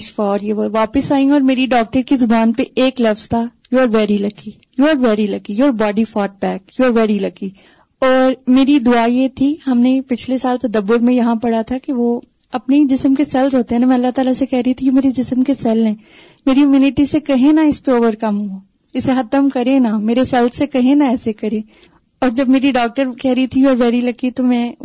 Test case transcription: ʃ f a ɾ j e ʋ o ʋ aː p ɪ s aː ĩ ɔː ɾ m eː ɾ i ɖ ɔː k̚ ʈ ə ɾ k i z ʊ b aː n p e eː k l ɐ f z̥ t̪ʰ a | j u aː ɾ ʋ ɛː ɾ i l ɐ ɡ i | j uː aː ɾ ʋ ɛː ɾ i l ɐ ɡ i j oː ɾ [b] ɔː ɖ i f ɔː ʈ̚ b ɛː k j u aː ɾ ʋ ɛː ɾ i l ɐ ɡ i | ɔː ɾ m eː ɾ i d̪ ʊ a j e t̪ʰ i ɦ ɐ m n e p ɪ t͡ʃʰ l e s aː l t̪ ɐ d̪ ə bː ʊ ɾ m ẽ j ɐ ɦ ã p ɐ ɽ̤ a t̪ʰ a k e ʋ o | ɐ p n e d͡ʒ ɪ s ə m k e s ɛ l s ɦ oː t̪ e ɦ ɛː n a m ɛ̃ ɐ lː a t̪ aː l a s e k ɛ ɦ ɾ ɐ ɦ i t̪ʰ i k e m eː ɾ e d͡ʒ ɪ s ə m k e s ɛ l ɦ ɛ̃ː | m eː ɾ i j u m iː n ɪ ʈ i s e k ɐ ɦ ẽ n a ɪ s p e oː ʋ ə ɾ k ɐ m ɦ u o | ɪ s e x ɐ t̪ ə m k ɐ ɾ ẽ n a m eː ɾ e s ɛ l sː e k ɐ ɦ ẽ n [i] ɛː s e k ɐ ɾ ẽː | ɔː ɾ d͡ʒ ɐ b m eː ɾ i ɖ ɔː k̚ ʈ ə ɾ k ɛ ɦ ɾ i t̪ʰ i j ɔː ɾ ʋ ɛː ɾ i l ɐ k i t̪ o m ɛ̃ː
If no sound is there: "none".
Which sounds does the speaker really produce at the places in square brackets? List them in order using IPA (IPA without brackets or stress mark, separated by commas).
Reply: b, a